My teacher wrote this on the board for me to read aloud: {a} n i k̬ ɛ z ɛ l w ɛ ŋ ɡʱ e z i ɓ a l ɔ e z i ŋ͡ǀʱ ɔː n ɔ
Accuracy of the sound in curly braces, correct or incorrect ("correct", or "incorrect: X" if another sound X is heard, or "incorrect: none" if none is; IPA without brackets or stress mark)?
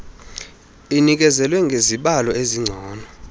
incorrect: i